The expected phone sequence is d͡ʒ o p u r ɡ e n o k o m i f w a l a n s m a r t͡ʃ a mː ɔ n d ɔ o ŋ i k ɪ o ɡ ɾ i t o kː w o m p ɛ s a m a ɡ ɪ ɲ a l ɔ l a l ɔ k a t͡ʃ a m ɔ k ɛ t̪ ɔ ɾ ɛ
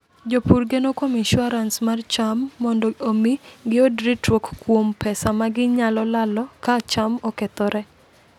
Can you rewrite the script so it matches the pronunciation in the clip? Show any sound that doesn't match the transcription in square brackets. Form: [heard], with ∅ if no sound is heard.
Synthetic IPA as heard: d͡ʒ o p u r ɡ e n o k o m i [ʃ] w a [ɾ] a n s m a r t͡ʃ a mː ɔ n d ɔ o [m] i [ɡ] ɪ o [d] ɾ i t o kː w o m p ɛ s a m a ɡ ɪ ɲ a l ɔ l a l ɔ k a t͡ʃ a m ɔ k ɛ t̪ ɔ ɾ ɛ